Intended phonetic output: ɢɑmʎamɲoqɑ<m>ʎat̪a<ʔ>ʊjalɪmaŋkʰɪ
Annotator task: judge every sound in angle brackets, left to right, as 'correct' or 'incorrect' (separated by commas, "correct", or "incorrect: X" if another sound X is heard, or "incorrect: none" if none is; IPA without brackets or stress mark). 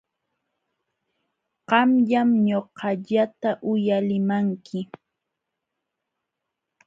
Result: incorrect: none, correct